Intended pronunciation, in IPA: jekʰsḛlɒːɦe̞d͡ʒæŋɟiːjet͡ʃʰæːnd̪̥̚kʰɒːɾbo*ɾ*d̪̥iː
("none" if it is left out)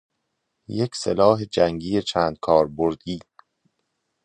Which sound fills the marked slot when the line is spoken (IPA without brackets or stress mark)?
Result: ɾ